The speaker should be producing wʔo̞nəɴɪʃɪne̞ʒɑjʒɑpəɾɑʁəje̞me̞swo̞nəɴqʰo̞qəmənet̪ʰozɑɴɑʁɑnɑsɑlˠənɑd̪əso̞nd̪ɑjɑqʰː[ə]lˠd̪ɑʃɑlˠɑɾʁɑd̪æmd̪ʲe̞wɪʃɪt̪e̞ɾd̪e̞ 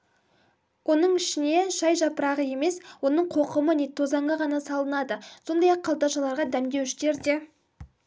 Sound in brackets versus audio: incorrect: ɑ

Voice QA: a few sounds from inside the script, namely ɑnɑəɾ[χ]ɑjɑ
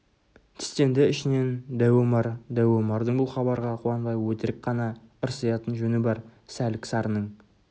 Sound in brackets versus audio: incorrect: s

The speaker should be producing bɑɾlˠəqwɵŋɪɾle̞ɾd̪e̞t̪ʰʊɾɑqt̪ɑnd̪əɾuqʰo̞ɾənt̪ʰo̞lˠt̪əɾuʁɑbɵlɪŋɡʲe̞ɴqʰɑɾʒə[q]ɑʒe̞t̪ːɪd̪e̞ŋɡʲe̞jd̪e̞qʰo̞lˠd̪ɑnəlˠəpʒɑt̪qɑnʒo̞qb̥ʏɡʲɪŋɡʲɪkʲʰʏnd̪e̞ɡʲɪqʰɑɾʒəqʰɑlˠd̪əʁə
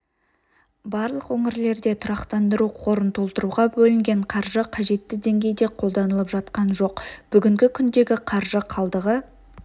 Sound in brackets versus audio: incorrect: qʰ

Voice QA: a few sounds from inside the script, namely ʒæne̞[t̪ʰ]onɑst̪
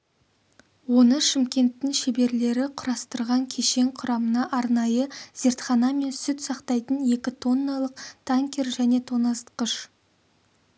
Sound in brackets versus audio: correct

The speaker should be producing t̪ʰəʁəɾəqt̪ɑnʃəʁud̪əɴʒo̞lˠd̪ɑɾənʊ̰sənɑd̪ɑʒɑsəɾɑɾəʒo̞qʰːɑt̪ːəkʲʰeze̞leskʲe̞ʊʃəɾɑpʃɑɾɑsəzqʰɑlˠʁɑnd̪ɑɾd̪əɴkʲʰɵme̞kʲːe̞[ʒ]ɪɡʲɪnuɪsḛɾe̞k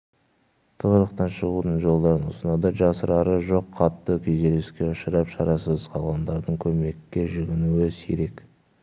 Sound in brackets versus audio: correct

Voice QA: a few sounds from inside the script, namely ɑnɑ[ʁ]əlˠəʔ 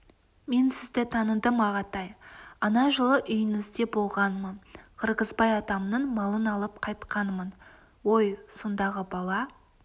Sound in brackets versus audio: incorrect: ʒ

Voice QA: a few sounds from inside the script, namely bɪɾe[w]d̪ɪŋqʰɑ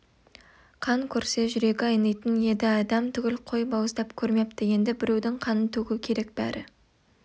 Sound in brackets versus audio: correct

